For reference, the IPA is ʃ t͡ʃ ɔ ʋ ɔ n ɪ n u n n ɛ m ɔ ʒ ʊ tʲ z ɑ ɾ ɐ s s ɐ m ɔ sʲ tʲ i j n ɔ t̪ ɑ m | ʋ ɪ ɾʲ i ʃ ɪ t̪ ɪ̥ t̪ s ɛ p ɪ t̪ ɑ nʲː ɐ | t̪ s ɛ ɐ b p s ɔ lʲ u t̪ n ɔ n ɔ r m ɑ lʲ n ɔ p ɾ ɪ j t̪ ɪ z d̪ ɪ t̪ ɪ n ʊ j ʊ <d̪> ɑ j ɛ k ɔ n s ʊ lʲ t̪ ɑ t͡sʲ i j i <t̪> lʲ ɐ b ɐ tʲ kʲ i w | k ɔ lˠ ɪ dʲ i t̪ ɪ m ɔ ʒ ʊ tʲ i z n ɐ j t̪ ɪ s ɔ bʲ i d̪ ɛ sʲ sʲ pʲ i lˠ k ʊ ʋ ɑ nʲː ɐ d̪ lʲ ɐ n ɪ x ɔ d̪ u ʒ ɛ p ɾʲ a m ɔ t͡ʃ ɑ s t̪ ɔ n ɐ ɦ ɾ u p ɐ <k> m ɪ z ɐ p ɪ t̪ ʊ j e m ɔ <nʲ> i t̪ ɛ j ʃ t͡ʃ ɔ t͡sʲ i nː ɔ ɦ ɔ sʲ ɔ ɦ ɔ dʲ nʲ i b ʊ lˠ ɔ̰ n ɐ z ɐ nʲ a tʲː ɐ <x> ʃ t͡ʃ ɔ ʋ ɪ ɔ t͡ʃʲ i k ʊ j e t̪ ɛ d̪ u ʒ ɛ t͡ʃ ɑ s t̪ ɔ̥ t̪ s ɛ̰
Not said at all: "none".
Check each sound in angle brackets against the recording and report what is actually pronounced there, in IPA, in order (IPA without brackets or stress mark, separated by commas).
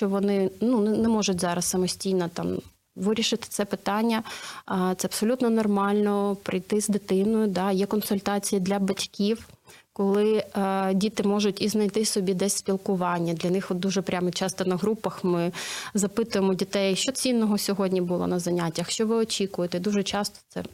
d̪, d̪, x, dʲ, x